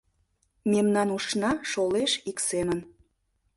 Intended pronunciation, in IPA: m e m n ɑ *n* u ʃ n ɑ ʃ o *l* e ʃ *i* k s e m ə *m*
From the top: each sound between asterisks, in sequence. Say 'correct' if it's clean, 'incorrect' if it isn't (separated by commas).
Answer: correct, correct, correct, incorrect